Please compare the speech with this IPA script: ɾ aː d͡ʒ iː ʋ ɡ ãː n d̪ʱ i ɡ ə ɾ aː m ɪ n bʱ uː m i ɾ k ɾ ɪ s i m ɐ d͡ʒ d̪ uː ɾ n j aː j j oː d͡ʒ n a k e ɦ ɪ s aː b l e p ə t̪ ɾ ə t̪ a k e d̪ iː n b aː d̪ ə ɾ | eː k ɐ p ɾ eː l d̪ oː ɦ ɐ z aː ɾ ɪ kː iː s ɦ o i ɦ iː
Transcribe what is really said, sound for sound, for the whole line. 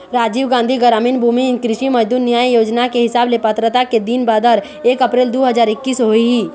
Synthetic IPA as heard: ɾ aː d͡ʒ iː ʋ ɡ ãː n d̪ʱ i ɡ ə ɾ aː m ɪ n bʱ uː m i k ɾ ɪ ʃ i m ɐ d͡ʒ d̪ uː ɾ n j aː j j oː d͡ʒ n a k e ɦ ɪ s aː b l e p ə t̪ ɾ ə t̪ a k e d̪ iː n b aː d̪ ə ɾ | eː k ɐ p ɾ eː l d̪ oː ɦ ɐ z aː ɾ ɪ kː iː s ɦ o i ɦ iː